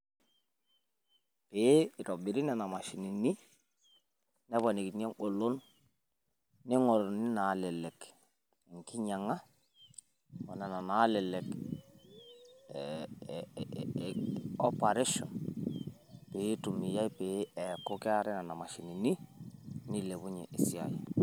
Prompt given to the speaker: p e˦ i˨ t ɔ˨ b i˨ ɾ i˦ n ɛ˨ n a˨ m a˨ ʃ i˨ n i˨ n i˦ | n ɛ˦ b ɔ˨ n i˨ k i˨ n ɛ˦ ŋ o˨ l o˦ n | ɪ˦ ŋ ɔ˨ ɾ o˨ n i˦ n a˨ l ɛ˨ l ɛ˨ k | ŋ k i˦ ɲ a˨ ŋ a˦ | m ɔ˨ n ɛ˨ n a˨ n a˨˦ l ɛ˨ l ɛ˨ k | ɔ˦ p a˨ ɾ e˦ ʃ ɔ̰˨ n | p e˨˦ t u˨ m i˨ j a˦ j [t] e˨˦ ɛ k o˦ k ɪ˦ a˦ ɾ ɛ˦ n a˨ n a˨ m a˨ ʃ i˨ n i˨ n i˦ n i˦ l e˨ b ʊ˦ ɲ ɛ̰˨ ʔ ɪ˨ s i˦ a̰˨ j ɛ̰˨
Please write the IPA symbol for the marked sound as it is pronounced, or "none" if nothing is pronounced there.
p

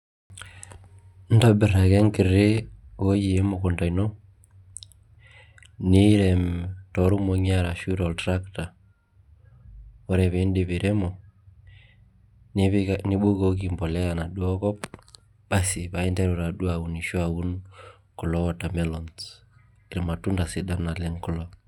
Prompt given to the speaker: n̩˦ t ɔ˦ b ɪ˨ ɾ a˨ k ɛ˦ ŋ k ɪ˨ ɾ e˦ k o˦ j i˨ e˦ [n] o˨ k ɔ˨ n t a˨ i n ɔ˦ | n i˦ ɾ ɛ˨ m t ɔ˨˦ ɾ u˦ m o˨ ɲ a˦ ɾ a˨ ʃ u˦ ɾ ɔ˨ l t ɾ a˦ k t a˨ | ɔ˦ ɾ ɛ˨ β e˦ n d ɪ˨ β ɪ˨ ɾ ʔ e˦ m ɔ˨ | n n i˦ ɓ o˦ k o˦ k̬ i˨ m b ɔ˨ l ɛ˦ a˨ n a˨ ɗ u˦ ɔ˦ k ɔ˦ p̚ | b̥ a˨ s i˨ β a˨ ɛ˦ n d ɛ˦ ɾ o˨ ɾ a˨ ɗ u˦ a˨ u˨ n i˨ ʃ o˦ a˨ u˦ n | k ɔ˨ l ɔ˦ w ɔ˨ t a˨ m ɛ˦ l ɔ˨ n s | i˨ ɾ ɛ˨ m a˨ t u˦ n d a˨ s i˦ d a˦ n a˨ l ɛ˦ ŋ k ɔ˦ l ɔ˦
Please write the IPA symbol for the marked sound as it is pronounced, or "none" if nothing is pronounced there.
m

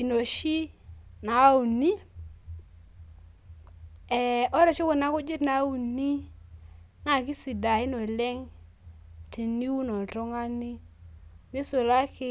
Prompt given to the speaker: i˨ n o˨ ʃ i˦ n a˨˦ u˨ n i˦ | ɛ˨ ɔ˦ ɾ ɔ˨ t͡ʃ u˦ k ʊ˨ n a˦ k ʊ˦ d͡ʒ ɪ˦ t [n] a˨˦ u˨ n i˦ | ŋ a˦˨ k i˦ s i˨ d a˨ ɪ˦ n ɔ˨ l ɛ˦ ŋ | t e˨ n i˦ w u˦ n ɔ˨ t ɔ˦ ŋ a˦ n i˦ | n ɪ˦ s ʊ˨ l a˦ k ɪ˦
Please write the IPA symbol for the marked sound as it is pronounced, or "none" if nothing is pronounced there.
n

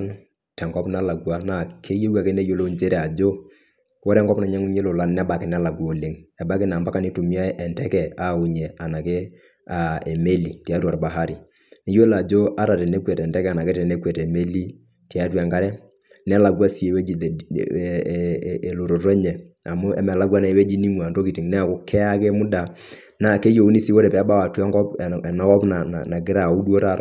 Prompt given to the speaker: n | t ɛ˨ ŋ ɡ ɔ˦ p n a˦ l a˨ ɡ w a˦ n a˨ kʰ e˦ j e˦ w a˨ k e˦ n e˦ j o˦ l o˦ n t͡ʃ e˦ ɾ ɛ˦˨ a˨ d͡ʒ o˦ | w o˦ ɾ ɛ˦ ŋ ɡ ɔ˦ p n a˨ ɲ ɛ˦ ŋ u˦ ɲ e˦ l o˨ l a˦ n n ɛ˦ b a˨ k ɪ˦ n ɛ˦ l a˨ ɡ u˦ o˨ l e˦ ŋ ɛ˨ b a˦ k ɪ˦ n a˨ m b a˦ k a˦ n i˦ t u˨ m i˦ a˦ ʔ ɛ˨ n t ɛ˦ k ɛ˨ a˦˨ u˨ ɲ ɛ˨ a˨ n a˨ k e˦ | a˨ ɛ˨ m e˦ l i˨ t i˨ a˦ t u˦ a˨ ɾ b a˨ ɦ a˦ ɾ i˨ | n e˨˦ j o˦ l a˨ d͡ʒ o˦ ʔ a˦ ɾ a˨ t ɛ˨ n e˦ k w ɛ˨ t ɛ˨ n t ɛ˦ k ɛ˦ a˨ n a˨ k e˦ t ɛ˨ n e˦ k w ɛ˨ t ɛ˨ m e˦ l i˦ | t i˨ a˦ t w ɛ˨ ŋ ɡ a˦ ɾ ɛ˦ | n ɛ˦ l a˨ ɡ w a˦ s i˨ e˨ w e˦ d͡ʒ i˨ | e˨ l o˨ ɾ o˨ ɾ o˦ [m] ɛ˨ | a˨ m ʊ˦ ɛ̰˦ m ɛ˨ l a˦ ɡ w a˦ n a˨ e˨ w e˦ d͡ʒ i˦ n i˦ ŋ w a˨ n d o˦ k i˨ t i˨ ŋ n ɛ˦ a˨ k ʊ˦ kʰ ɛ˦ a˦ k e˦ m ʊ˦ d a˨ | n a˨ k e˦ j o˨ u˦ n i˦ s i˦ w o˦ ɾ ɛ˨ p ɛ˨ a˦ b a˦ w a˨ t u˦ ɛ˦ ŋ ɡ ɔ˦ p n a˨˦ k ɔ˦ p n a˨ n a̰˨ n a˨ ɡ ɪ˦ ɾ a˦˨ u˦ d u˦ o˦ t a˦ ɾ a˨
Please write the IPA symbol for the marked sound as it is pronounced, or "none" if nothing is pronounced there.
ɲ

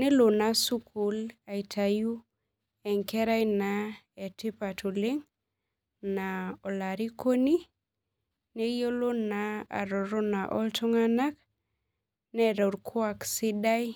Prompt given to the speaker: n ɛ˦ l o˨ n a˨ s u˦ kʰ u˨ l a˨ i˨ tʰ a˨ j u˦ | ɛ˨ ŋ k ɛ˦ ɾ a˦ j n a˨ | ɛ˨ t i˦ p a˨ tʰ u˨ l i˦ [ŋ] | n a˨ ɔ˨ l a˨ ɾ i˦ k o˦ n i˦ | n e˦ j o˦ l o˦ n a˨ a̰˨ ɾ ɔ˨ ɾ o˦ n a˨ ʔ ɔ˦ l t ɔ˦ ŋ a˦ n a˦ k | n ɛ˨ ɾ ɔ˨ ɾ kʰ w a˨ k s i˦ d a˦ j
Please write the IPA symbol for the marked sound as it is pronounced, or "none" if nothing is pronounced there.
ŋ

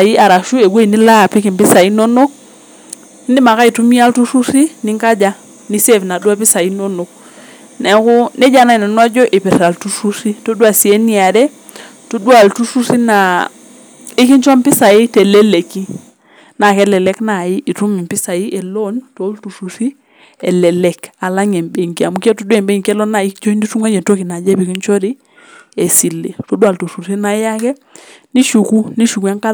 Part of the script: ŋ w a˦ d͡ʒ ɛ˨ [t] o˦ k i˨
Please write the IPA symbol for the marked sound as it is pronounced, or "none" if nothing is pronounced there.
t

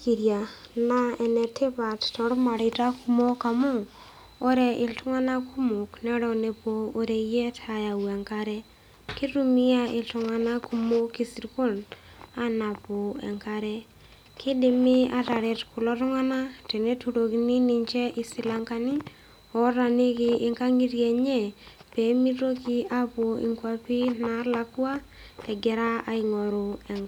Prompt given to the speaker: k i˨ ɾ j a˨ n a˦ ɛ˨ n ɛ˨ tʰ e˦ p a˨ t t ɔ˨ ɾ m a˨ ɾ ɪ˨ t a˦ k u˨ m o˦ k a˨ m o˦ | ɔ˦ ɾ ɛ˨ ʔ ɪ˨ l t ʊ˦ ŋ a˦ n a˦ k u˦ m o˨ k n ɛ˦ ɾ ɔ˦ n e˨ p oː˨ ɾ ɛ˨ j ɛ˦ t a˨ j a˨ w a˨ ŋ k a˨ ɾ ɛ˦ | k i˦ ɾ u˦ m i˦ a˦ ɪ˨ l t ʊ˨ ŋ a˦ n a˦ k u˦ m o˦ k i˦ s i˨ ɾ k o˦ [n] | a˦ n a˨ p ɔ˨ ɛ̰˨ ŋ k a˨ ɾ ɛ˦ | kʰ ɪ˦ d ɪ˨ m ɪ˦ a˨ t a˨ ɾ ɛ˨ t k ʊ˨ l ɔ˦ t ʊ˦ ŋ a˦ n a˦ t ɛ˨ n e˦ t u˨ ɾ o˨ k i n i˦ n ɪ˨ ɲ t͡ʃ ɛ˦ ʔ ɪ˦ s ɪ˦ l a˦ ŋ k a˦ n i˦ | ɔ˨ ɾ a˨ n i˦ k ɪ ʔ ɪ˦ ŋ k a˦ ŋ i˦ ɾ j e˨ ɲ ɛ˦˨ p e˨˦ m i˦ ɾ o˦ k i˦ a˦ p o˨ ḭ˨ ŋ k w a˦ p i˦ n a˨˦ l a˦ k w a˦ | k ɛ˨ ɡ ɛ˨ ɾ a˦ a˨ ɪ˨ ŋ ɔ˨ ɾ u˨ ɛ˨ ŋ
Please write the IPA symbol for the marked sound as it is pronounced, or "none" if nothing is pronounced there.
n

